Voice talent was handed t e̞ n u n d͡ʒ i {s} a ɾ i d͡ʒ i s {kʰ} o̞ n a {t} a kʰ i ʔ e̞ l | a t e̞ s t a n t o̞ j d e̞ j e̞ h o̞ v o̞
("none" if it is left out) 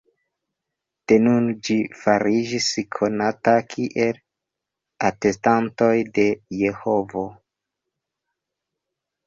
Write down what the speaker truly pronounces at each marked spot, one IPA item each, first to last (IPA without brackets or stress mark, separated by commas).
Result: f, kʰ, t